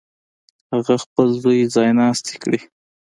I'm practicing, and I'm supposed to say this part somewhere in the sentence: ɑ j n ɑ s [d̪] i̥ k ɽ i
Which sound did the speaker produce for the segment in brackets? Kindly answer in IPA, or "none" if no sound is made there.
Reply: t̪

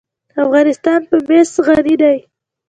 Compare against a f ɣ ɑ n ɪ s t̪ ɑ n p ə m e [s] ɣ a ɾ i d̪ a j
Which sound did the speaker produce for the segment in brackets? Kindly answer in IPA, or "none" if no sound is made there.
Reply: s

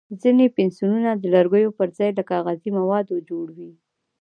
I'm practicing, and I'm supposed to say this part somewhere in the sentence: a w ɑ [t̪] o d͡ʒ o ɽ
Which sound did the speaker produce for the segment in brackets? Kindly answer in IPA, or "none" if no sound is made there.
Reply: d̪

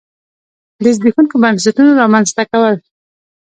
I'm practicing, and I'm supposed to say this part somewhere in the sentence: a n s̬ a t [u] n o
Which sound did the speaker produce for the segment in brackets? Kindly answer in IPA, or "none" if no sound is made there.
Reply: u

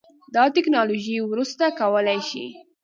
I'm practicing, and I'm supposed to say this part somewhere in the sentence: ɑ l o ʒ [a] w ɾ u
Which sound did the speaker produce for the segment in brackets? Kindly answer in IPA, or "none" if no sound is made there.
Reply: i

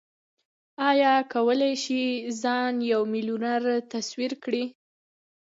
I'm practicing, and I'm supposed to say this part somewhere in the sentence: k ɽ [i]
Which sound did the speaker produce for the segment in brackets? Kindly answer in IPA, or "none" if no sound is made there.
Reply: i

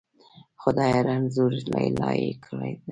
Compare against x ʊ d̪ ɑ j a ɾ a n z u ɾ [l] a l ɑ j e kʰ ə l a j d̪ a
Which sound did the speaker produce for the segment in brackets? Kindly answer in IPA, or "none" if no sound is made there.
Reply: l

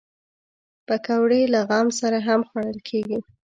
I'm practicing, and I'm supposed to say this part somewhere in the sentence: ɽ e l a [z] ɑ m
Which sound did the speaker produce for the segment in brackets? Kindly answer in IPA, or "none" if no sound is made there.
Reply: ɣ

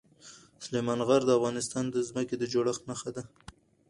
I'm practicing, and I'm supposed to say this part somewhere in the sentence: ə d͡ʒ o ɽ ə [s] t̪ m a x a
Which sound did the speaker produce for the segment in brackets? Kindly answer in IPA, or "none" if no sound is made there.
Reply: x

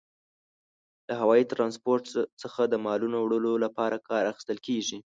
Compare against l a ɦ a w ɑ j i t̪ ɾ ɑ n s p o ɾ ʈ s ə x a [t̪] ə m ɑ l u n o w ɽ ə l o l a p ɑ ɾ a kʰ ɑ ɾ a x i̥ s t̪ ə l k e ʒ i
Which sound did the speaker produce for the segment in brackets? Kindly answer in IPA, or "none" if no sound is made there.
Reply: d̪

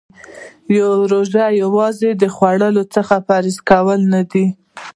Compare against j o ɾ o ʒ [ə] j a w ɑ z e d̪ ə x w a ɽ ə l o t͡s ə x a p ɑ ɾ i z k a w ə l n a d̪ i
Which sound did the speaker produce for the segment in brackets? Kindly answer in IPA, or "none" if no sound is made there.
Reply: a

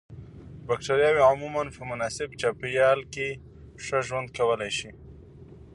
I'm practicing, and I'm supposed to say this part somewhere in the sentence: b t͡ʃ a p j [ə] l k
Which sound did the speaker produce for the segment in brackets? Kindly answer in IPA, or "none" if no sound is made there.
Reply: ɑ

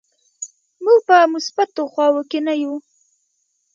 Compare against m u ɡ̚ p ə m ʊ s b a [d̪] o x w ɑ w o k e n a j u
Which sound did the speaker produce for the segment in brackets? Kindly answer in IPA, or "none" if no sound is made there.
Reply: t̪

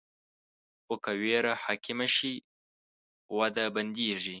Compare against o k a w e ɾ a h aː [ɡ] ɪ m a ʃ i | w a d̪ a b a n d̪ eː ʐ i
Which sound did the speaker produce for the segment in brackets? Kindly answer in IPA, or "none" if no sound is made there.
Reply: k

